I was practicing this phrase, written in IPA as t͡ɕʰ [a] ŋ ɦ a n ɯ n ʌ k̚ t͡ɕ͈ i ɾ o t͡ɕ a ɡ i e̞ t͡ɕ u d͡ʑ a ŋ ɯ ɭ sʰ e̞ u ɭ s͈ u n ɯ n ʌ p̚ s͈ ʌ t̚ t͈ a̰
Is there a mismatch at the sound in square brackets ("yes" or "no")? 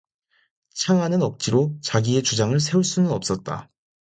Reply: no